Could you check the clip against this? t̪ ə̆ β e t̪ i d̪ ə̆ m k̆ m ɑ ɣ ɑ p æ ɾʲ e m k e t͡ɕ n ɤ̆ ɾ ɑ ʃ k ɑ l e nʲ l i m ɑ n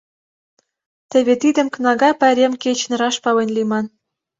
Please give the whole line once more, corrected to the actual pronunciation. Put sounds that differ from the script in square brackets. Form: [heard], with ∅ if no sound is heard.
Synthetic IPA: t̪ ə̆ β e t̪ i d̪ ə̆ m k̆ [n] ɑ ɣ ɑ p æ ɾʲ e m k e t͡ɕ n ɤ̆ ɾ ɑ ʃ [p] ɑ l e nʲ l i m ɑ n